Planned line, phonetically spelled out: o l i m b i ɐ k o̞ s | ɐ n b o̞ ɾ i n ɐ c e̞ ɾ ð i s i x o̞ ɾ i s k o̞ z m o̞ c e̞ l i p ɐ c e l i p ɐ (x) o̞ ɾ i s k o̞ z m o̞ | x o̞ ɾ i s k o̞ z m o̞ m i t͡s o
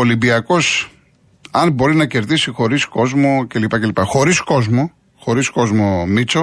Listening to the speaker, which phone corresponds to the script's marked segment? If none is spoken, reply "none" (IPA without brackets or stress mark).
x